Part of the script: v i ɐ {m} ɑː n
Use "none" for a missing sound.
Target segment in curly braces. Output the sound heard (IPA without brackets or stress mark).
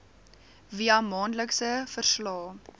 m